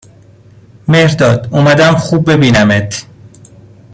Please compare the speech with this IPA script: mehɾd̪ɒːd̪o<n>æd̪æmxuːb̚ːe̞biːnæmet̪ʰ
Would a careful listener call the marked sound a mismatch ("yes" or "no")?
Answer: yes